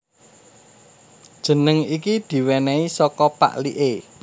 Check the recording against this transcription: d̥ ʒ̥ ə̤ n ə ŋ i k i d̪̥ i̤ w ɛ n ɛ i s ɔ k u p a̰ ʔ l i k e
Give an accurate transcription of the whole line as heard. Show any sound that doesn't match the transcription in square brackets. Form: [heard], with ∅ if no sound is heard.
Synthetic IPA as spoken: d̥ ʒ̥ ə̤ n ə ŋ i k i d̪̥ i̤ w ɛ n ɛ i s ɔ k [ɔ] p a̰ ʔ l i [ʔ] e